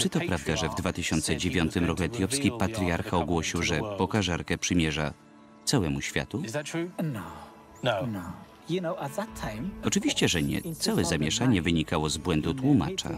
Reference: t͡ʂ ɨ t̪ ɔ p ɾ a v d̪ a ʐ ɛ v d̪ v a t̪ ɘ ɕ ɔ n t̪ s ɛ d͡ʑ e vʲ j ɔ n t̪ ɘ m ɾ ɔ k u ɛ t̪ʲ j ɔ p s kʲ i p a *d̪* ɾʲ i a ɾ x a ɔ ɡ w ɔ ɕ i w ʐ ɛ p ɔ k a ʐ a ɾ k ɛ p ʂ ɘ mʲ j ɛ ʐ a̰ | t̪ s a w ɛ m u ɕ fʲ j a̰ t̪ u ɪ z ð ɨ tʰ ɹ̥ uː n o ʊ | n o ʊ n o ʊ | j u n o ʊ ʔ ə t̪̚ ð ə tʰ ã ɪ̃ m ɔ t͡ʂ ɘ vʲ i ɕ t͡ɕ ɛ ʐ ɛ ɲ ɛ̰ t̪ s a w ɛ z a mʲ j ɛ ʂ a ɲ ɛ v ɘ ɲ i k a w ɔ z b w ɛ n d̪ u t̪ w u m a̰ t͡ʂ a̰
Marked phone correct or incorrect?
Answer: incorrect